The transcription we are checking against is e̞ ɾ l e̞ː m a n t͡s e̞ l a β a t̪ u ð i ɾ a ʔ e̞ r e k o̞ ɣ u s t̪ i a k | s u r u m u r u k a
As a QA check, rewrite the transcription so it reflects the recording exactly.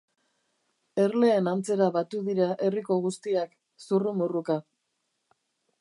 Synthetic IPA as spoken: e̞ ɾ l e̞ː n a n t͡s e̞ ɾ a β a t̪ u ð i ɾ a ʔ e̞ r i k o̞ ɣ u s t̪ i a k | s u r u m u r u k a